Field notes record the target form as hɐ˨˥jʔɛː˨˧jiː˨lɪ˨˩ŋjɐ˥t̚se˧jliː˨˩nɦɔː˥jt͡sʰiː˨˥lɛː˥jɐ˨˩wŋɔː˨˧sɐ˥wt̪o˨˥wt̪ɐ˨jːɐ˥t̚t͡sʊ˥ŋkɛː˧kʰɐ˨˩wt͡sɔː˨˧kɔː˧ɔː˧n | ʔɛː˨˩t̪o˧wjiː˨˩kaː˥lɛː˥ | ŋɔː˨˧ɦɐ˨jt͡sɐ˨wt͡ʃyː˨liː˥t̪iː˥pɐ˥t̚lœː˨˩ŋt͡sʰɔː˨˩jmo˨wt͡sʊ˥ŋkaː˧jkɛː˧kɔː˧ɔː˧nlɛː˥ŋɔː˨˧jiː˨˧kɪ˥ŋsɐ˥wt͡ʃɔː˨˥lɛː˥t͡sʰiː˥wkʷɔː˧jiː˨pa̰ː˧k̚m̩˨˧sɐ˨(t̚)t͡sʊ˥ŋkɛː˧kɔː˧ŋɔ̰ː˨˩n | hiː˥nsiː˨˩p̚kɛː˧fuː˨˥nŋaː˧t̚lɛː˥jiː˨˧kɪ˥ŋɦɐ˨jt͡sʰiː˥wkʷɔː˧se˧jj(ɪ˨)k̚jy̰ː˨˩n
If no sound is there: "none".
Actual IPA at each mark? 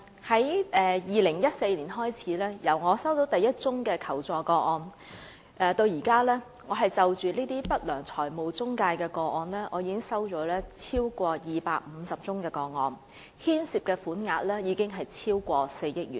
p̚, ɪ˥

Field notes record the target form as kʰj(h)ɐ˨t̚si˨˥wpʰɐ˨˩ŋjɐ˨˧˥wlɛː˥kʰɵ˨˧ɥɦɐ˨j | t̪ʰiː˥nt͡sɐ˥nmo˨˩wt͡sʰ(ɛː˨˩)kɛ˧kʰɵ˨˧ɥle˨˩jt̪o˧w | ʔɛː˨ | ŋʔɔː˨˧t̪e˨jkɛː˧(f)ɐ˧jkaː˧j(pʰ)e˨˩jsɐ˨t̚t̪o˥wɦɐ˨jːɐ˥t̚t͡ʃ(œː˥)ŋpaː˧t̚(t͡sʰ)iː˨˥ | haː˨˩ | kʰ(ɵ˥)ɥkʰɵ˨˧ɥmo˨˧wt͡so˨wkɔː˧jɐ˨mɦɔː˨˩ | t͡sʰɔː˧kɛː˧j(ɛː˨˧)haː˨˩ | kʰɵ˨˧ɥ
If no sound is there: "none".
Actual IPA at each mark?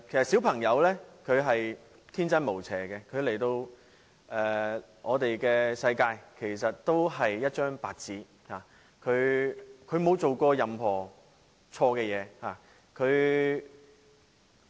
s, ɛː˨˩, s, kʰ, œː˥, t͡s, ɵ˨˧, ɛː˨˧

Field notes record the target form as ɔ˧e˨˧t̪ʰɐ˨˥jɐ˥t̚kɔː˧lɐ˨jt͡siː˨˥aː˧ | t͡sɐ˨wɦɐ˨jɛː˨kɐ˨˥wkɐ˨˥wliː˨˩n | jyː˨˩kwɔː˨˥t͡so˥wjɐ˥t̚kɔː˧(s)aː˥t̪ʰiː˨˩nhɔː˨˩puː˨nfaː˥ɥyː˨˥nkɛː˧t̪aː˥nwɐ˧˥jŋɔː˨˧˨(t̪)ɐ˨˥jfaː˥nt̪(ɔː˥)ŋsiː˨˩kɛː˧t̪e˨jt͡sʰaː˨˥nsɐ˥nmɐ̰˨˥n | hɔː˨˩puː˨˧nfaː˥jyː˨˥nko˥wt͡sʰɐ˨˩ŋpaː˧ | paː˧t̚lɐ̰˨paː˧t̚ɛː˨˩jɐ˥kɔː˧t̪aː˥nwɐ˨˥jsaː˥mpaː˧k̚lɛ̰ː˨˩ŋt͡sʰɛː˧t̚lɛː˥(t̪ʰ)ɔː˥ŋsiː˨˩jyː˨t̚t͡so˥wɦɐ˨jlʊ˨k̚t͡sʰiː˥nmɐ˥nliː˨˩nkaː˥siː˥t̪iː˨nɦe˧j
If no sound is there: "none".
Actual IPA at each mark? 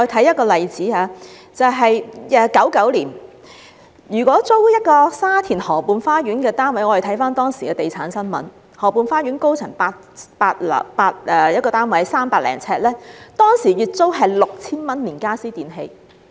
s, t̪ʰ, ɔː˥, t̪

